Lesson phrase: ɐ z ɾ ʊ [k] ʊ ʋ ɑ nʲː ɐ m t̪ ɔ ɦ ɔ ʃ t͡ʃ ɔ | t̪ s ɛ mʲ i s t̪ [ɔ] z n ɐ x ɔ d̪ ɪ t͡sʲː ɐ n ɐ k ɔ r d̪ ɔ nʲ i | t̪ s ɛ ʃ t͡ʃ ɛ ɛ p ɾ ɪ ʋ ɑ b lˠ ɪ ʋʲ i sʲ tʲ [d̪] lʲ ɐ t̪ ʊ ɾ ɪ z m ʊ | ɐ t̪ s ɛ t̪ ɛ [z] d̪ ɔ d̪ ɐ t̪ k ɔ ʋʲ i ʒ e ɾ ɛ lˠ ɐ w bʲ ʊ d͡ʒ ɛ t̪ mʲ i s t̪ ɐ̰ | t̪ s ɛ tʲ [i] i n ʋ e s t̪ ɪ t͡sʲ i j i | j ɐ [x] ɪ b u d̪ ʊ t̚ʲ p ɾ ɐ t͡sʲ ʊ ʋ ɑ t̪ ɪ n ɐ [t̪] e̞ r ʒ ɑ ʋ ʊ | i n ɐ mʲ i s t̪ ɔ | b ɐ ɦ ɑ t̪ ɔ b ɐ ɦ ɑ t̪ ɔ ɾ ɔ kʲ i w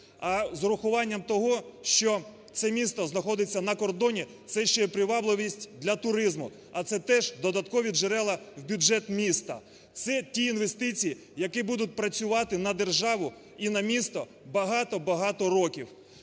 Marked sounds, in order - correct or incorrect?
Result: incorrect: x, correct, correct, incorrect: ʒ, correct, incorrect: k, incorrect: d̪

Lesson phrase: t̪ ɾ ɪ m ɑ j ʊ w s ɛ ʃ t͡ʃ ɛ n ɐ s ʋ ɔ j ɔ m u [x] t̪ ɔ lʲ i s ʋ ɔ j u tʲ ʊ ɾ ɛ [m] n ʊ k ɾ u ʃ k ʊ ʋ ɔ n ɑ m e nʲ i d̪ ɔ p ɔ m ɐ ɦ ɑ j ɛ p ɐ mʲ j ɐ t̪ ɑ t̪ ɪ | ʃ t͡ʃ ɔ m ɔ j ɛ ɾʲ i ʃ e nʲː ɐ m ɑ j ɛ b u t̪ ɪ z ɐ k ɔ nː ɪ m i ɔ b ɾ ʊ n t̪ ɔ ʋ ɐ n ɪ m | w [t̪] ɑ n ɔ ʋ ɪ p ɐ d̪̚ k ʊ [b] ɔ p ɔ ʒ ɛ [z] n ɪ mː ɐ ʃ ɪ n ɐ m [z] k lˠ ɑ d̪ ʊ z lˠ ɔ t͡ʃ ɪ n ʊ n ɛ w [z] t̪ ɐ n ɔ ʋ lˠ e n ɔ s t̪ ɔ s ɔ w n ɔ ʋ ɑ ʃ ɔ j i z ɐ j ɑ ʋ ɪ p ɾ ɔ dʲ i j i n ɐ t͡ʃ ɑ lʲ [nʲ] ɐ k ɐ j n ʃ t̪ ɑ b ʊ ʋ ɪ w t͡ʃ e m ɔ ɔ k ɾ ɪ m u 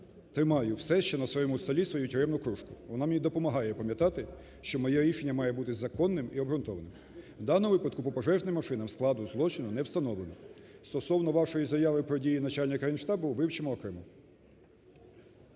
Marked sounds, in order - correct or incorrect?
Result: incorrect: s, correct, incorrect: d̪, incorrect: p, incorrect: ʒ, incorrect: s, incorrect: s, correct

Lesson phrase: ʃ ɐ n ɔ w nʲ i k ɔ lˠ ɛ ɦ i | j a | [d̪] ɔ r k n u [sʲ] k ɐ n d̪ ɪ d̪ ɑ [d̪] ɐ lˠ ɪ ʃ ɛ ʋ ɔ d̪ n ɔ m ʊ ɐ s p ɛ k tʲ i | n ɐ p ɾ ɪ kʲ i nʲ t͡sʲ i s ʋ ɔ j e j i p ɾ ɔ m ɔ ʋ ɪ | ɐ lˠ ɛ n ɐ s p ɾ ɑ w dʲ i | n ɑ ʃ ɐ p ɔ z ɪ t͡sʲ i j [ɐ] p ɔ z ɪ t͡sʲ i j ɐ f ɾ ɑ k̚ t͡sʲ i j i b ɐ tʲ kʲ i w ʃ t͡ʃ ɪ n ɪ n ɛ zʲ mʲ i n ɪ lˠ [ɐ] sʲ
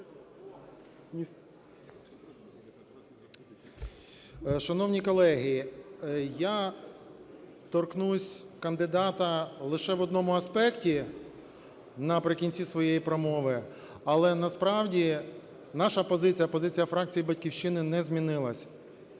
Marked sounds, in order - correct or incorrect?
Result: incorrect: t̪, correct, incorrect: t̪, correct, correct

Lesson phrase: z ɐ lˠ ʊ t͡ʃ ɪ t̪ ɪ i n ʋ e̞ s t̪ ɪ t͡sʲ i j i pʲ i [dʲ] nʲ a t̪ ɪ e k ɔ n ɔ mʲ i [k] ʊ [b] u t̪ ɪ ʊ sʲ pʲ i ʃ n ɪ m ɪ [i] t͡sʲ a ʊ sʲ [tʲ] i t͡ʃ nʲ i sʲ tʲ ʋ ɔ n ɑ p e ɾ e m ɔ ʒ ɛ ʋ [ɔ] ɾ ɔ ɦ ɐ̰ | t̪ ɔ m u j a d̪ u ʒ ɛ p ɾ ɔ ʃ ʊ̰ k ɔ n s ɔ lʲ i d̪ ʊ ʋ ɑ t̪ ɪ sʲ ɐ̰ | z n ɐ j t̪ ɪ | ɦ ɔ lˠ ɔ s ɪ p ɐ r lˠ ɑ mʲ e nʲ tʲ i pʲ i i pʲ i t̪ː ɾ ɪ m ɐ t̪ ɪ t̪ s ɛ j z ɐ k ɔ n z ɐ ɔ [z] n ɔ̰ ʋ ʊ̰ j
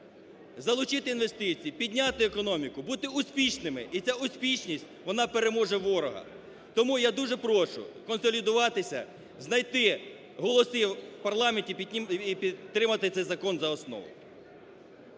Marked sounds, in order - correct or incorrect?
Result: correct, correct, correct, correct, incorrect: pʲ, correct, incorrect: s

